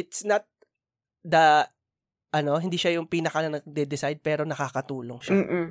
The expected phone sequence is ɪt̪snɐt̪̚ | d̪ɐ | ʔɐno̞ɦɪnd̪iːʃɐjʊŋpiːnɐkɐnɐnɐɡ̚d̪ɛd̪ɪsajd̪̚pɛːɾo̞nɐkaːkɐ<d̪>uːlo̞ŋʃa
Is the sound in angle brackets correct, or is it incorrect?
incorrect